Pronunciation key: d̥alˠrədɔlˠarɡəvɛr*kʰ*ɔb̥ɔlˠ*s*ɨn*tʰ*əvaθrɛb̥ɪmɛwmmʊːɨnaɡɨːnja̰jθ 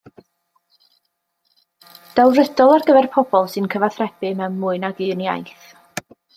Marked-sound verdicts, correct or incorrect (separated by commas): incorrect, correct, incorrect